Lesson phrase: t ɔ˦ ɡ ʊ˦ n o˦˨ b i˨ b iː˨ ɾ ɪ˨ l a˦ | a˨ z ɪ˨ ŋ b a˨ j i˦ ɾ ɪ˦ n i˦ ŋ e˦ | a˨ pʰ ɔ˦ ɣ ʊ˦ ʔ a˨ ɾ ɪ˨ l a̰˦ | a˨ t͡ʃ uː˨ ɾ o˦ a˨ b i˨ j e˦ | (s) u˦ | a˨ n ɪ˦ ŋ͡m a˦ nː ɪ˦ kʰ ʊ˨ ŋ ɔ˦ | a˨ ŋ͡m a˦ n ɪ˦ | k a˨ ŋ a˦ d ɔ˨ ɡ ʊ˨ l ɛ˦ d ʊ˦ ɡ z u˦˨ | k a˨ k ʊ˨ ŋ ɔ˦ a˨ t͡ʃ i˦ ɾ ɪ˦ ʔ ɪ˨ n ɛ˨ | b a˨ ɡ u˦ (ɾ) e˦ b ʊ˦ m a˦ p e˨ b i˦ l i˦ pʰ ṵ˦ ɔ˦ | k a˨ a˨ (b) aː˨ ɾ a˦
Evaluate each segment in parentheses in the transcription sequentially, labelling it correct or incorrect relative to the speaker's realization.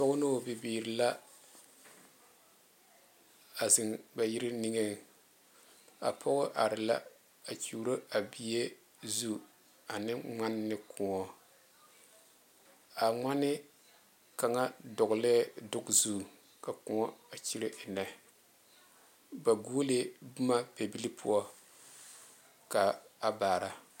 incorrect: z, incorrect: l, correct

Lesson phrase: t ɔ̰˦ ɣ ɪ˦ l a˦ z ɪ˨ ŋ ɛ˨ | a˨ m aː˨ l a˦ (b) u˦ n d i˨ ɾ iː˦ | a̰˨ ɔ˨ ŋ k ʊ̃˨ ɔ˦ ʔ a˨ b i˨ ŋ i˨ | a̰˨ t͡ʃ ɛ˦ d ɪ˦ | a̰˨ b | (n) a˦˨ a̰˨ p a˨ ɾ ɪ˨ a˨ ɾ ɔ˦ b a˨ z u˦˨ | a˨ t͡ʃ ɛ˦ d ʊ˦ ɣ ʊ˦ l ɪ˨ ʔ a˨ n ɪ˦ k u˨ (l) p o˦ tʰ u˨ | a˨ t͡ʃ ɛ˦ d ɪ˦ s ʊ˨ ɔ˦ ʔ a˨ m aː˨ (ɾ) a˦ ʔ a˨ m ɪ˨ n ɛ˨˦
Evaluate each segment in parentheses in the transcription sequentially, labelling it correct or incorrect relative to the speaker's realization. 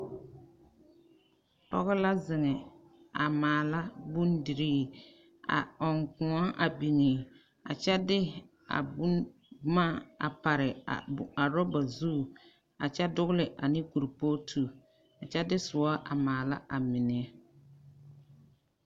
correct, incorrect: m, incorrect: ɾ, incorrect: l

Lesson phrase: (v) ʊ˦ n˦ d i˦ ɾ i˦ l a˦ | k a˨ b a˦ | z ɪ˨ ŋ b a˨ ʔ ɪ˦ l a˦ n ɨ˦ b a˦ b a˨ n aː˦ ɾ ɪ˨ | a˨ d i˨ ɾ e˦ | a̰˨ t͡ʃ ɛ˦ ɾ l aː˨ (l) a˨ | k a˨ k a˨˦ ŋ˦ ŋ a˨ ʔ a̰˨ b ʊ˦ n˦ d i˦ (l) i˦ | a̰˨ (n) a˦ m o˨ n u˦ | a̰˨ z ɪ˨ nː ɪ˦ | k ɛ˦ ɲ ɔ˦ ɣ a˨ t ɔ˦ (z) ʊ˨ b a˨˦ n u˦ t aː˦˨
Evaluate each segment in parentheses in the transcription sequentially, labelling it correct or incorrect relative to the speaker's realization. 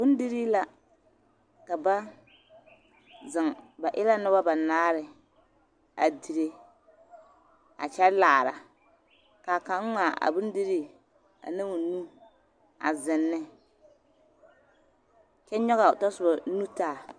incorrect: b, incorrect: ɾ, incorrect: ɾ, correct, incorrect: s

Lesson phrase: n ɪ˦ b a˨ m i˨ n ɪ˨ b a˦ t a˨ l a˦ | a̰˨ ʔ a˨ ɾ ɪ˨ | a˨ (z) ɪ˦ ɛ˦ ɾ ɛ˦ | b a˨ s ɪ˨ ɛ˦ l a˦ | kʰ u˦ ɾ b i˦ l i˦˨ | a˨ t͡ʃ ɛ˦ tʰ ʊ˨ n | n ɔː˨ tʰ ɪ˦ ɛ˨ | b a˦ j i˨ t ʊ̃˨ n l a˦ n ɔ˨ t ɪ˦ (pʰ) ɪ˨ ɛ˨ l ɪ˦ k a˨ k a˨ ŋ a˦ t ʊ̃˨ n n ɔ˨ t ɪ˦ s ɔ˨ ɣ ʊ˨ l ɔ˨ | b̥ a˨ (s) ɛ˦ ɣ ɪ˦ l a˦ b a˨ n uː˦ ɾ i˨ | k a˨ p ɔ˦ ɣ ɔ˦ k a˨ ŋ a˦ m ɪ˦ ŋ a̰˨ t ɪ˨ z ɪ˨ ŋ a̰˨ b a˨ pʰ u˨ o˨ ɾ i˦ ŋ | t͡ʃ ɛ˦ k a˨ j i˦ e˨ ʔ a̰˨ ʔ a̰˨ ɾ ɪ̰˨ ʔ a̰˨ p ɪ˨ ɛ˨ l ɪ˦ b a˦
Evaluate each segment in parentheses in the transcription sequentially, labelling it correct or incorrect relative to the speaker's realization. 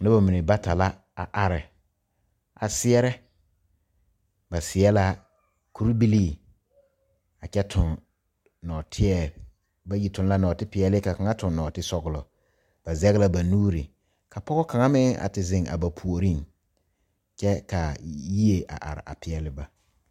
incorrect: s, incorrect: p, incorrect: z

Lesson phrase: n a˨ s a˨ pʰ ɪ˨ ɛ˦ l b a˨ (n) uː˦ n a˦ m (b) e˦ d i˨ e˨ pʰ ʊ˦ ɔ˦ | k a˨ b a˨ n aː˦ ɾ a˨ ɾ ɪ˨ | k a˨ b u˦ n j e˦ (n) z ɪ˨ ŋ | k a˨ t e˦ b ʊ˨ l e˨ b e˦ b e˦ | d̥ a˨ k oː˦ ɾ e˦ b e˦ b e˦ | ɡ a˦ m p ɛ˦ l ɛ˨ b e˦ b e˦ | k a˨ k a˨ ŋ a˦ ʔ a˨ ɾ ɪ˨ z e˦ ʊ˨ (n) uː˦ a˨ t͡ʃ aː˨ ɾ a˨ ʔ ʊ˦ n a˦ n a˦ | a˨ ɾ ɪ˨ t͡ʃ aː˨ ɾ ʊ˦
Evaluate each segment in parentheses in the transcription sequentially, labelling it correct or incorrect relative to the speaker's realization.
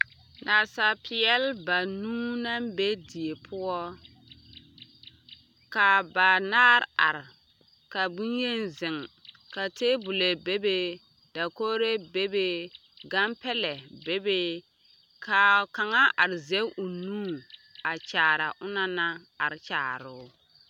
correct, correct, correct, correct

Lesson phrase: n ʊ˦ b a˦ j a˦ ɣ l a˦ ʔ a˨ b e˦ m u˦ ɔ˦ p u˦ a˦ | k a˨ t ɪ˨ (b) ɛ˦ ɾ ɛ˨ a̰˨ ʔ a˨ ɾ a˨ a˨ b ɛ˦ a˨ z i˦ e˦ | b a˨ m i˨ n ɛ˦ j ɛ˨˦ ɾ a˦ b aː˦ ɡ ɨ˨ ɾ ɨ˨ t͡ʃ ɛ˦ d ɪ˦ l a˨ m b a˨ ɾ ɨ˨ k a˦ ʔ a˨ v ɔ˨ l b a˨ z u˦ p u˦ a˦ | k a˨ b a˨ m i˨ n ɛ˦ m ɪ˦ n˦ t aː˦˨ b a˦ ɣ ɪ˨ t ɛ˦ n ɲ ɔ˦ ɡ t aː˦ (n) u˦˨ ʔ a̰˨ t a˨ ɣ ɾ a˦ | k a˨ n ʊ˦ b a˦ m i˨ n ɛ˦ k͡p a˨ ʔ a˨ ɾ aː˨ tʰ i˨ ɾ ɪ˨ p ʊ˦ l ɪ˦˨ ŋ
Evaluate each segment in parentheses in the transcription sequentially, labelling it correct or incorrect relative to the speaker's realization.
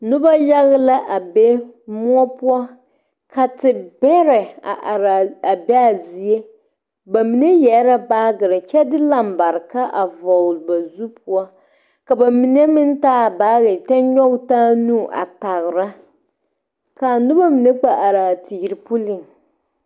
correct, correct

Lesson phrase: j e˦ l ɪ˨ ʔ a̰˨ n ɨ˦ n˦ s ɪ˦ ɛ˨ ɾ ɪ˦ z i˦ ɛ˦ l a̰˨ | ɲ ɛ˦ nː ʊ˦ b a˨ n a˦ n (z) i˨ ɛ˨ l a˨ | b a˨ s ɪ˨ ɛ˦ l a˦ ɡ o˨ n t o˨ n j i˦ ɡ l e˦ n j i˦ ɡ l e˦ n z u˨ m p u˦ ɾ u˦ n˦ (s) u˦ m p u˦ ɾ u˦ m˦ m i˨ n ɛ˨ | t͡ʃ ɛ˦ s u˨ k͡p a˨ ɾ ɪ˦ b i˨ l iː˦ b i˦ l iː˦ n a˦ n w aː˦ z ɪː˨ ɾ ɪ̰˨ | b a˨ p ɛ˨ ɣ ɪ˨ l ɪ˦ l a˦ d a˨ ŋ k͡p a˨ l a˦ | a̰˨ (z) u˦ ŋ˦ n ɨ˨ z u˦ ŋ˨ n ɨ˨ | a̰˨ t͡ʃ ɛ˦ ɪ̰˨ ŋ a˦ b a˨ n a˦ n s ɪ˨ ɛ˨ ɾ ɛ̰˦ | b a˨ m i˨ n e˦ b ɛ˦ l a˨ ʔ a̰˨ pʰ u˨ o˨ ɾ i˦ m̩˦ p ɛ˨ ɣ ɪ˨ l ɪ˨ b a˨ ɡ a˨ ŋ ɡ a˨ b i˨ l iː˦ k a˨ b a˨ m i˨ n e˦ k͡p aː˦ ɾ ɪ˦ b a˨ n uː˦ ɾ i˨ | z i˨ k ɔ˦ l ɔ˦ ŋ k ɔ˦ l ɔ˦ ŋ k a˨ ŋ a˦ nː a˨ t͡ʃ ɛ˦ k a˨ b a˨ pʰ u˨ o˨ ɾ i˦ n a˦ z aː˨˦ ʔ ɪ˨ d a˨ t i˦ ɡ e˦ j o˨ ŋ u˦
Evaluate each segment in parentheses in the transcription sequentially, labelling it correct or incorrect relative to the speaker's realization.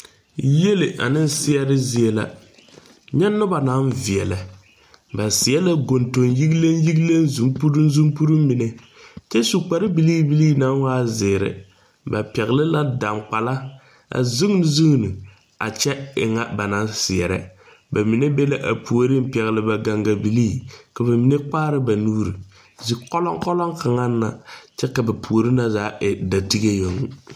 incorrect: v, incorrect: z, correct

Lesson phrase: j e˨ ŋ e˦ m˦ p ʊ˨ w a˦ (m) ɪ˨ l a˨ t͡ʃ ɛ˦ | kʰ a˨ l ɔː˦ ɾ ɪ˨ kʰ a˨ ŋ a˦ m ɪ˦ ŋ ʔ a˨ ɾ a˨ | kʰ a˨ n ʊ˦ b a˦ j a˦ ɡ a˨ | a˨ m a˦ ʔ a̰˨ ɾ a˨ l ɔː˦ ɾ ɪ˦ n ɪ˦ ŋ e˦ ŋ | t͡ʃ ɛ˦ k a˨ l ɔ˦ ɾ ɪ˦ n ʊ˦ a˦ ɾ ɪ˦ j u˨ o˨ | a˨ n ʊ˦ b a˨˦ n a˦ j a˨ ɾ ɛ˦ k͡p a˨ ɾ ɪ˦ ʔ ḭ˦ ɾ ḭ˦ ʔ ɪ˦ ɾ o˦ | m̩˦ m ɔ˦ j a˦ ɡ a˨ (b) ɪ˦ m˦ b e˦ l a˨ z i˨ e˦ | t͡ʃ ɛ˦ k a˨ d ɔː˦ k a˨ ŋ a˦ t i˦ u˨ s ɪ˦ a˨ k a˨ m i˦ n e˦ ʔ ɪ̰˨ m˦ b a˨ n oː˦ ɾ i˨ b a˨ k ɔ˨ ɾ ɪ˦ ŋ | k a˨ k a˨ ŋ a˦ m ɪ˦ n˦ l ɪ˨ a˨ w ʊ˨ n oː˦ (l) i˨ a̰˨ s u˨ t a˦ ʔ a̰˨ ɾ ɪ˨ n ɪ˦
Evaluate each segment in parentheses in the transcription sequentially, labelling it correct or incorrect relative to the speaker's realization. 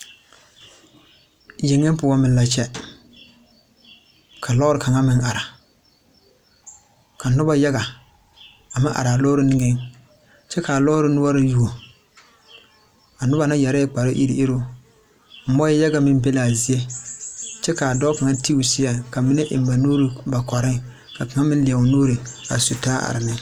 correct, incorrect: m, incorrect: ɾ

